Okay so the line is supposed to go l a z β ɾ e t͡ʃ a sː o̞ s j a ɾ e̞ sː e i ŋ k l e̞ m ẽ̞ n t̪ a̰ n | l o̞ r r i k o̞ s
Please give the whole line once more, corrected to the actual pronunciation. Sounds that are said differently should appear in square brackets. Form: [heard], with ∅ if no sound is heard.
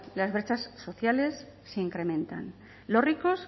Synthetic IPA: l a z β ɾ e t͡ʃ a sː o̞ [θ] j a [l] e̞ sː e i ŋ k [ɾ] e̞ m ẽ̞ n t̪ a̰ n | l o̞ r r i k o̞ s